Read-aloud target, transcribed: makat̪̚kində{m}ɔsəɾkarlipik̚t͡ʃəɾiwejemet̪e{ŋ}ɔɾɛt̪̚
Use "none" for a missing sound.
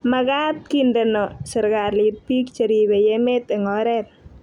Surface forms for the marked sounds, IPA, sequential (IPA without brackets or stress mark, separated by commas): n, ŋ